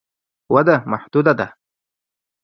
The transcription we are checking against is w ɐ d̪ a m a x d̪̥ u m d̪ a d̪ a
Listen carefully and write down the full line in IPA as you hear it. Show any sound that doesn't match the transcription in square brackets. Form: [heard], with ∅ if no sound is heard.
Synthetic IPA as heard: w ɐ d̪ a m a [ħ] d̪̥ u [∅] d̪ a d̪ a